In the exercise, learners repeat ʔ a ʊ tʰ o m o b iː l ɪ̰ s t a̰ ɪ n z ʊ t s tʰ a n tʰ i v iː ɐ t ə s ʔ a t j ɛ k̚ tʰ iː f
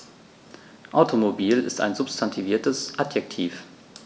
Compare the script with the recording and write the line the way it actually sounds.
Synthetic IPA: ʔ a ʊ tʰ o m o b iː l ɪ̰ s t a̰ ɪ n z ʊ p s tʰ a n tʰ i v iː ɐ t ə s ʔ a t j ɛ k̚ tʰ iː f